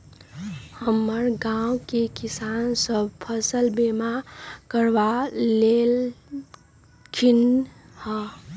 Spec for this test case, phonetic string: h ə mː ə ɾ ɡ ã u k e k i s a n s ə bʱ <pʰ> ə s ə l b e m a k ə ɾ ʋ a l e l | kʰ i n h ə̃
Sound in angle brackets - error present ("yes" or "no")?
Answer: no